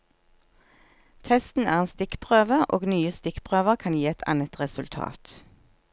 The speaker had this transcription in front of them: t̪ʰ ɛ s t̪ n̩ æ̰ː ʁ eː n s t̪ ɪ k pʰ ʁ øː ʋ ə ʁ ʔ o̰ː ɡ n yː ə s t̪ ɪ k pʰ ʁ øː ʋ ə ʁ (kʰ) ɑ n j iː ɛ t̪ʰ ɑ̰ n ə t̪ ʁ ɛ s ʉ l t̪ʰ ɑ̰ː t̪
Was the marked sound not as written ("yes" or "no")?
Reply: no